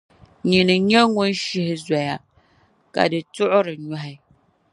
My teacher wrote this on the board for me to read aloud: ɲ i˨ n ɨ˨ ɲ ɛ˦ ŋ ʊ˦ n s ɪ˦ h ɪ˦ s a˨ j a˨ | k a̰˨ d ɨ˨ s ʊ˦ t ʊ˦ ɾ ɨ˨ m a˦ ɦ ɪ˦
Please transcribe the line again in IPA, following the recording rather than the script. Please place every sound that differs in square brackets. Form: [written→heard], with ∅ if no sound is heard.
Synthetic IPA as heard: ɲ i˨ n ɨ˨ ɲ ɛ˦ ŋ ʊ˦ n [s→ʃ] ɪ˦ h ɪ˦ [s→z] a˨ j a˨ | k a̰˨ d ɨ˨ [s→t] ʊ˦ [t→ʔ] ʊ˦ ɾ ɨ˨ [m→ɲ] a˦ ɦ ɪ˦

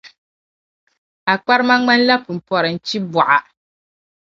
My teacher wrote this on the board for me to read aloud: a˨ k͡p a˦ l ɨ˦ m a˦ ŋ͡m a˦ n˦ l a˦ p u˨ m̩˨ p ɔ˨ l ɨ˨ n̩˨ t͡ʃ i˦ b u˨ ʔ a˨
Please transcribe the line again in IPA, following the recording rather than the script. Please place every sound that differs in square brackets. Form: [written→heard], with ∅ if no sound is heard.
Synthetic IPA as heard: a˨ k͡p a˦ [l→ɾ] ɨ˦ m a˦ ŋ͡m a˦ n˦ l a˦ p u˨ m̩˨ p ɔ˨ [l→ɾ] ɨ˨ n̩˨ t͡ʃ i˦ b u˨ ʔ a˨

